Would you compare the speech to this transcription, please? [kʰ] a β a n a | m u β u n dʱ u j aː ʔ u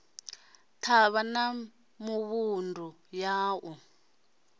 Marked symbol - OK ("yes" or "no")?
no